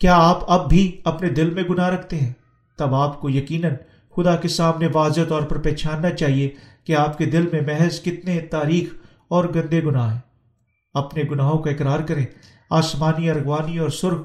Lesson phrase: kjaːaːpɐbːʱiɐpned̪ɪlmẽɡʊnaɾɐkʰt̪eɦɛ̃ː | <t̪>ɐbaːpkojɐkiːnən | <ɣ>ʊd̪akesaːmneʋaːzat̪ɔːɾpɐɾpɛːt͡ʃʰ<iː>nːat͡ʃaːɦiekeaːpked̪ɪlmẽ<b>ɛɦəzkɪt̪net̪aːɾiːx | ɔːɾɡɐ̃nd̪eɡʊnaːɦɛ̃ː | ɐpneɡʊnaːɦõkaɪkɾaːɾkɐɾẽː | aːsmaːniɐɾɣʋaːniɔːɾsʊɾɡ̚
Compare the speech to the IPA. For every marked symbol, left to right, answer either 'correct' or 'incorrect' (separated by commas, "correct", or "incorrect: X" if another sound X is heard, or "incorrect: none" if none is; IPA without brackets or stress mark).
correct, incorrect: x, incorrect: aː, incorrect: m